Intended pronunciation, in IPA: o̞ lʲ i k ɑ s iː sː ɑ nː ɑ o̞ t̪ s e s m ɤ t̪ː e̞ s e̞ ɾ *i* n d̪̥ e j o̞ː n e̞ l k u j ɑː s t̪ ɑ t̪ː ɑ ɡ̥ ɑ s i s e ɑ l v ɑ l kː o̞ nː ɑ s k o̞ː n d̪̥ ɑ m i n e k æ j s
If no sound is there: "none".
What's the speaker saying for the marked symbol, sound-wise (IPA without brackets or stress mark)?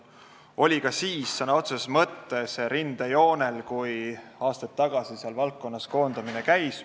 i